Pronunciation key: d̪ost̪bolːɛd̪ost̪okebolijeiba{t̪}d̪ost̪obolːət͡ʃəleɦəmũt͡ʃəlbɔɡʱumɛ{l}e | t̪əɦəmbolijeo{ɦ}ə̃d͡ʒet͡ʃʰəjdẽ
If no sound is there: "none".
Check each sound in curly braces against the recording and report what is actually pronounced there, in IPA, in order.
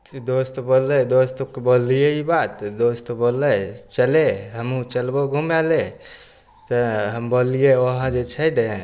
t̪, l, ɦ

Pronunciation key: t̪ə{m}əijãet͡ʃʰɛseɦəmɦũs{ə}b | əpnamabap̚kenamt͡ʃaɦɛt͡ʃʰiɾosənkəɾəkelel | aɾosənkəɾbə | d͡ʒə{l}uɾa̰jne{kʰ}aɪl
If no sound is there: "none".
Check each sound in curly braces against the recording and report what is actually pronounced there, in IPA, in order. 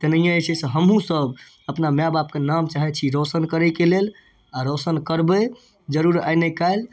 n, ə, ɾ, k

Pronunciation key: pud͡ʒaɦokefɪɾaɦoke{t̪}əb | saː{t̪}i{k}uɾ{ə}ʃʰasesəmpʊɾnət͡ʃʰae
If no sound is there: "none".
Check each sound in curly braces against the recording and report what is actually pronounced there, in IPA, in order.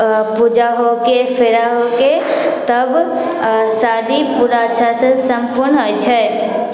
t̪, d̪, p, a

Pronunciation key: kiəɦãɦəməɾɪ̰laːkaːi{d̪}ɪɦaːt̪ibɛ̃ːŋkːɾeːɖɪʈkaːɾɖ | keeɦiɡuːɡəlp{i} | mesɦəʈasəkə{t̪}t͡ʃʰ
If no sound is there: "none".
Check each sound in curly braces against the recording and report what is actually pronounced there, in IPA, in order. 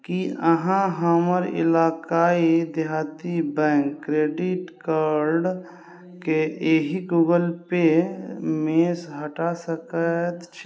d̪, e, t̪

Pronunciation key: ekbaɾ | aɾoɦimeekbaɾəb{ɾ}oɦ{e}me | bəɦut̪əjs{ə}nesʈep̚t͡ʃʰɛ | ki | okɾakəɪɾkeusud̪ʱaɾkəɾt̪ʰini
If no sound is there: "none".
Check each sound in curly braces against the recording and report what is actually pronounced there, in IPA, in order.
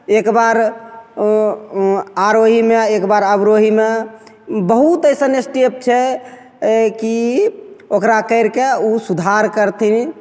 ɾ, i, ə

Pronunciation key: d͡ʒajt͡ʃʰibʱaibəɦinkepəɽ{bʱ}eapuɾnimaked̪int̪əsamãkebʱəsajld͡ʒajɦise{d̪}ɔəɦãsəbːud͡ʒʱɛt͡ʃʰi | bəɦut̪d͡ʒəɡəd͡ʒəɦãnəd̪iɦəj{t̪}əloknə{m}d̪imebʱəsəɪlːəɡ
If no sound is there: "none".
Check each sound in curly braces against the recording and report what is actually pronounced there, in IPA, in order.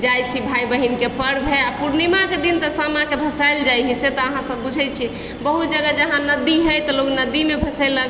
bʱ, t̪, t̪, none

